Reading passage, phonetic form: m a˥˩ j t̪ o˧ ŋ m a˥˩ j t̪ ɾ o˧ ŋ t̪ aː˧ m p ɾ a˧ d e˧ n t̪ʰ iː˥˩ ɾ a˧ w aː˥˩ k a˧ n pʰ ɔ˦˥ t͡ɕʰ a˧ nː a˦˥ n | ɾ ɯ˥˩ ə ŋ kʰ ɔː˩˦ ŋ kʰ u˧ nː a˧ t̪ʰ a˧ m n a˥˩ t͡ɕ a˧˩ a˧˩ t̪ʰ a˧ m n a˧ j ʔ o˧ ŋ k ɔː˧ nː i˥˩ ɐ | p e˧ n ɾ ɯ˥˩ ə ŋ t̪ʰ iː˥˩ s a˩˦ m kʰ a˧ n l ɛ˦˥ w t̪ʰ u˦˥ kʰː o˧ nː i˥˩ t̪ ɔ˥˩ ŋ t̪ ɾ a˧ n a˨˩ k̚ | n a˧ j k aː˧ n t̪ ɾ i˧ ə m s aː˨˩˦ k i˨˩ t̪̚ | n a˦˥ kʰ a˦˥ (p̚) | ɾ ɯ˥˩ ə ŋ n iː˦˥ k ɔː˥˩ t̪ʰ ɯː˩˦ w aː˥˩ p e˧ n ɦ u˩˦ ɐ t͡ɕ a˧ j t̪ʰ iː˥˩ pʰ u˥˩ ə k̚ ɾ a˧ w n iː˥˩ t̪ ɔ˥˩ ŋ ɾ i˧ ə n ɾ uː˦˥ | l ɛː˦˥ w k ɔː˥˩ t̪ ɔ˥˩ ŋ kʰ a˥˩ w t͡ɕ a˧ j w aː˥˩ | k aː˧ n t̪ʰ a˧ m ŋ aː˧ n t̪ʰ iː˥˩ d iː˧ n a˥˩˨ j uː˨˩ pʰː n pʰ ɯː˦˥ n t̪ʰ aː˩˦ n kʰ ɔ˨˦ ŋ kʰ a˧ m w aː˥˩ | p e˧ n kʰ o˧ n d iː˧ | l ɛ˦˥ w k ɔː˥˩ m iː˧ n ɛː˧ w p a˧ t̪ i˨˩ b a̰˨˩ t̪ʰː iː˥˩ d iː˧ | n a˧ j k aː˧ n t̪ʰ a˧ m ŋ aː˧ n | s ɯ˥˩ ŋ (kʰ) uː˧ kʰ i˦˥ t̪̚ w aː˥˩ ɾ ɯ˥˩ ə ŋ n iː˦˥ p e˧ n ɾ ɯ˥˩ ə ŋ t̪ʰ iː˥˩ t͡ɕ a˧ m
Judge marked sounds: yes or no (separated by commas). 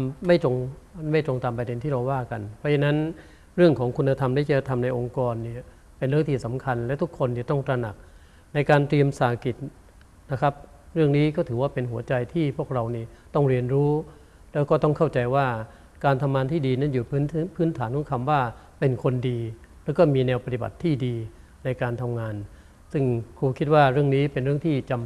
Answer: yes, yes